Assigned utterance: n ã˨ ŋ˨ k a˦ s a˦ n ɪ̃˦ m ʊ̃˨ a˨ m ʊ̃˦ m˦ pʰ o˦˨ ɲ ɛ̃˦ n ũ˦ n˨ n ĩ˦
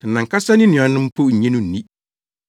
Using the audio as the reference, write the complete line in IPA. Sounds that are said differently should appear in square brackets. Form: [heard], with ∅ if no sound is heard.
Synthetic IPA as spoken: n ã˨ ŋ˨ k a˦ s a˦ n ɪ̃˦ [n] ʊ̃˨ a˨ [n] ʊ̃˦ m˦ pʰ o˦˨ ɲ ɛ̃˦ n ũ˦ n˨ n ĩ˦